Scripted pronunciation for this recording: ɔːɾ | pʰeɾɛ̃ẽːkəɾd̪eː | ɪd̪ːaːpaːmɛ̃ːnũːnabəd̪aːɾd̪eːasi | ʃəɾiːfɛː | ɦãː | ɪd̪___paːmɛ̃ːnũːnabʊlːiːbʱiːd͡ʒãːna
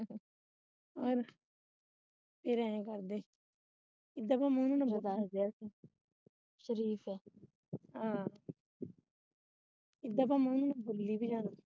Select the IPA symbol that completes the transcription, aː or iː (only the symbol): aː